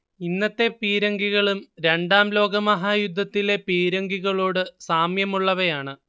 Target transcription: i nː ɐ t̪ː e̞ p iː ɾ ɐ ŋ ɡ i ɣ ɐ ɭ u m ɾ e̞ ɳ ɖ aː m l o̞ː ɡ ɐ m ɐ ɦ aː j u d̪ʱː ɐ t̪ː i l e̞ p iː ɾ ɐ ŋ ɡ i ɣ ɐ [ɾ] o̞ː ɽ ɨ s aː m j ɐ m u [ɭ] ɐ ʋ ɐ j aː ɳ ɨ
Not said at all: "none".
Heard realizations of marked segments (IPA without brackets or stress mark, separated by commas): ɭ, ɭː